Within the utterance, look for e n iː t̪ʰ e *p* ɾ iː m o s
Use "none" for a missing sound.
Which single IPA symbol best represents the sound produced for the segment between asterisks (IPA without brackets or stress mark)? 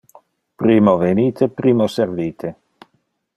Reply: p